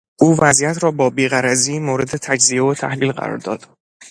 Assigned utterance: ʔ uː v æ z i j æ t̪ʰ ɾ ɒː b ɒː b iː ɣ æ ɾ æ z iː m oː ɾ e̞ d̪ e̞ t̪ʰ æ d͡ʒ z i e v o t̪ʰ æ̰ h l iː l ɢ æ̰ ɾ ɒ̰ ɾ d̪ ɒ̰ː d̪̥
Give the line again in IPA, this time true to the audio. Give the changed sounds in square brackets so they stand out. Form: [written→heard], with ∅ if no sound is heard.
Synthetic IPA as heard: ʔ uː v æ z i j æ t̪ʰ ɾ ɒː b ɒː b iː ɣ æ ɾ æ z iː m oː ɾ e̞ d̪ e̞ t̪ʰ æ d͡ʒ z i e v o t̪ʰ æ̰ h l iː l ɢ æ̰ ɾ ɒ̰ ɾ d̪ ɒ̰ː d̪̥

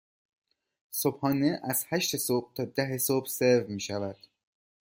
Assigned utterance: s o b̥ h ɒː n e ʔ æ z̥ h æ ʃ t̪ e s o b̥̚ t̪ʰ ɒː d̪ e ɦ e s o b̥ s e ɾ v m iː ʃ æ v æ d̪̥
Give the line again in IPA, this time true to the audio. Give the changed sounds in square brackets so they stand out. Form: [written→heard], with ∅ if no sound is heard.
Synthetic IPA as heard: s o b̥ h ɒː n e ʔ æ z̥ h æ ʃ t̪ e s o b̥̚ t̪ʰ ɒː d̪ [e→æ] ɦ e s o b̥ s e ɾ v m iː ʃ æ v æ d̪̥

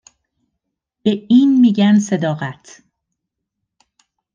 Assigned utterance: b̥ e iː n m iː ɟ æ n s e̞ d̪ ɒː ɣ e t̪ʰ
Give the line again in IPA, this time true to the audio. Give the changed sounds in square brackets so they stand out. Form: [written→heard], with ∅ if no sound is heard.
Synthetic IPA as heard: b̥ e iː n m iː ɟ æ n s e̞ d̪ ɒː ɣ [e→æ] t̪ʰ

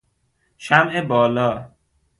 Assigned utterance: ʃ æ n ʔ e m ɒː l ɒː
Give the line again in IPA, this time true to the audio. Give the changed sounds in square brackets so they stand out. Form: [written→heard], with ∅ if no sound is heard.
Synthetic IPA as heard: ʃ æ [n→m] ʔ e [m→b] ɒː l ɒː

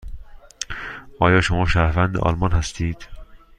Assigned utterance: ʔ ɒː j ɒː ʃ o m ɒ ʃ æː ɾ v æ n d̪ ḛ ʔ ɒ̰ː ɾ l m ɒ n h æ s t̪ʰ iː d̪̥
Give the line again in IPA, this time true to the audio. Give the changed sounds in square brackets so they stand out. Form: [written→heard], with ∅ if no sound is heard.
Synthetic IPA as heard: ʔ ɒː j ɒː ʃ o m [ɒ→ɒː] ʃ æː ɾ v æ n d̪ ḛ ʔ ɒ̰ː [ɾ→∅] l m ɒ n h æ s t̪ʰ iː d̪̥

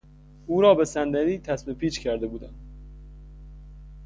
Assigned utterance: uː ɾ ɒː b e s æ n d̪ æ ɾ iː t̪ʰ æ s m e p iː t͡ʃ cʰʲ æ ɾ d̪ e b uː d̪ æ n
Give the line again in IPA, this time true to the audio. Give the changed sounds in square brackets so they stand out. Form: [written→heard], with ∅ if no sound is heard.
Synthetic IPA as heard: uː ɾ ɒː b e s æ n d̪ æ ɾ iː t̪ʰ æ s m e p iː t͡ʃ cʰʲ æ ɾ d̪ e b uː d̪ æ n

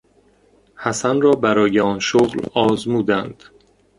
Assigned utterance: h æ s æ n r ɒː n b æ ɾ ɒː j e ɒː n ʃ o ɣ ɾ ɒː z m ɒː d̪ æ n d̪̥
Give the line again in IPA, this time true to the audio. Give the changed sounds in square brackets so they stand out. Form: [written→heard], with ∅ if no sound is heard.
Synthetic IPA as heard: h æ s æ n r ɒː [n→∅] b æ ɾ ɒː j e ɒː n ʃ o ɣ [ɾ→l] ɒː z m [ɒː→uː] d̪ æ n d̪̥

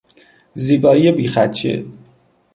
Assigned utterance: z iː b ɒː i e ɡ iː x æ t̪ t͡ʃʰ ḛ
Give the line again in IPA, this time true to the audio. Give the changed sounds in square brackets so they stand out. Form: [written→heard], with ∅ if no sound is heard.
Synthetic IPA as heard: z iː b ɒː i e [ɡ→b] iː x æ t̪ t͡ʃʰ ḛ

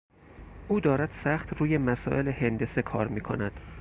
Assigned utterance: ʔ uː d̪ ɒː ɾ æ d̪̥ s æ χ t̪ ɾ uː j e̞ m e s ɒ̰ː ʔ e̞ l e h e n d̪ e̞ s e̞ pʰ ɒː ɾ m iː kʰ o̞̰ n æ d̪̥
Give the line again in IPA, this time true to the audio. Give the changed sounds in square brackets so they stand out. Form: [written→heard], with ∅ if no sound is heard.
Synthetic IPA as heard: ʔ uː d̪ ɒː ɾ æ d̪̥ s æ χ t̪ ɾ uː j e̞ m [e→æ] s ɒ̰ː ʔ e̞ l e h e n d̪ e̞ s e̞ [pʰ→kʰ] ɒː ɾ m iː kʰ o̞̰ n æ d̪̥

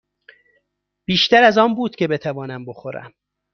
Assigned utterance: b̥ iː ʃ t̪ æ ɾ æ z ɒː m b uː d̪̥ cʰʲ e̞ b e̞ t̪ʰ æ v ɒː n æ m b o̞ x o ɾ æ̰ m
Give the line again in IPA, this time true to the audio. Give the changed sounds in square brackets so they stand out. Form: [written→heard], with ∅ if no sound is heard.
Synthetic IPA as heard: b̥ iː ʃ t̪ æ ɾ æ z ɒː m b uː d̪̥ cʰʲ e̞ b e̞ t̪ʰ æ v ɒː n æ m b o̞ x o ɾ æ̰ m

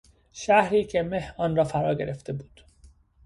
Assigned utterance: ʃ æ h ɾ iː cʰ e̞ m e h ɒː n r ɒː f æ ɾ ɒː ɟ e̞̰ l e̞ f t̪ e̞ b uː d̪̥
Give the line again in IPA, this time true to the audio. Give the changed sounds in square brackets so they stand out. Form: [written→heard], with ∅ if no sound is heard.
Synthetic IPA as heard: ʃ æ h ɾ iː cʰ e̞ m e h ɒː n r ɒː f æ ɾ ɒː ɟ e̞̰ [l→ɾ] e̞ f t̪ e̞ b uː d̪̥

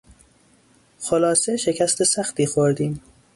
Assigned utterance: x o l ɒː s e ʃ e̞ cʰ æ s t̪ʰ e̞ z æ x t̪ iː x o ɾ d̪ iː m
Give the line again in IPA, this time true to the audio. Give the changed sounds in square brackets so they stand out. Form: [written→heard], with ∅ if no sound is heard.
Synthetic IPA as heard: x o l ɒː s e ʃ e̞ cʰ æ s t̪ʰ e̞ [z→s] æ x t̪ iː x o ɾ d̪ iː m

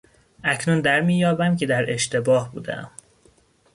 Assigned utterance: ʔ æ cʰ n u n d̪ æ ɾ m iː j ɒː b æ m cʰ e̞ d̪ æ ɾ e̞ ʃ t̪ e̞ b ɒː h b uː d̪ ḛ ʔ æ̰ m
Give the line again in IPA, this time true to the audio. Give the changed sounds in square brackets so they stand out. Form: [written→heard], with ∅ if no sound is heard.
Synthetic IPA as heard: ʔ æ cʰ n u n d̪ æ ɾ m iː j ɒː b æ m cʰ e̞ d̪ æ ɾ e̞ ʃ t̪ e̞ b ɒː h b uː d̪ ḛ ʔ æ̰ m

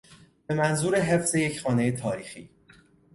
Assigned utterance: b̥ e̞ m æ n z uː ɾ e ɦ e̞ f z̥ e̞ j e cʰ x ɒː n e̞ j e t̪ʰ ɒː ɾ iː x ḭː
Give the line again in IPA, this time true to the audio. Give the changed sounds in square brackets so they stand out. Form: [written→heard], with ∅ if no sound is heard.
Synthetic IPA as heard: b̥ e̞ m æ n z uː ɾ e ɦ e̞ f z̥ e̞ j e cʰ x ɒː n e̞ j e t̪ʰ ɒː ɾ iː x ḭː

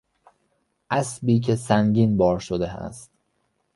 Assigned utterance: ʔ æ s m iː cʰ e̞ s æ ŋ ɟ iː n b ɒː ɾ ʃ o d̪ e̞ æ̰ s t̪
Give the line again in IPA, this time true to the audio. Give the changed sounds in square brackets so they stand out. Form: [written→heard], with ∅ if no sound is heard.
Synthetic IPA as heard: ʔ æ s [m→b] iː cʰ e̞ s æ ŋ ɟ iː n b ɒː ɾ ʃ o d̪ e̞ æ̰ s t̪

